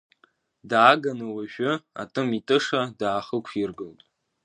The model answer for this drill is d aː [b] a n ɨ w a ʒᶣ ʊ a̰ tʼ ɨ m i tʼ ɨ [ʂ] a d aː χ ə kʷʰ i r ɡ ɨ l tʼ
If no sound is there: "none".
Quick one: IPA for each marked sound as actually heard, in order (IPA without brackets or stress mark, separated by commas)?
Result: ɡ, ʂ